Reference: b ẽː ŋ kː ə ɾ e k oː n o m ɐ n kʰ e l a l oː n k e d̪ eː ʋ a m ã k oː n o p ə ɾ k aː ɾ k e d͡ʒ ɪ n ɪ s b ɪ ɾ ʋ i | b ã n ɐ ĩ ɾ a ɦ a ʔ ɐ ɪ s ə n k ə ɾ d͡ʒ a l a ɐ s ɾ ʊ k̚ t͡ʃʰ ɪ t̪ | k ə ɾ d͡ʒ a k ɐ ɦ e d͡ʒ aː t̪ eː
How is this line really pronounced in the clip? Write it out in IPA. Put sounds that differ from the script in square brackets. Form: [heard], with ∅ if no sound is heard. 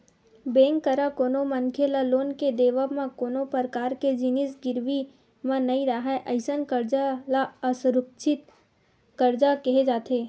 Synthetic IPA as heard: b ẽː ŋ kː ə ɾ [a] k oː n o m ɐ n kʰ e l a l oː n k e d̪ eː ʋ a m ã k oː n o p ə ɾ k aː ɾ k e d͡ʒ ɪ n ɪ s [ɡ] ɪ ɾ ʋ i | [m] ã n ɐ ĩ ɾ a ɦ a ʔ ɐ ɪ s ə n k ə ɾ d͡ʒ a l a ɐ s ɾ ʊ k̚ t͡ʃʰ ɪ t̪ | k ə ɾ d͡ʒ a k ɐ ɦ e d͡ʒ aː t̪ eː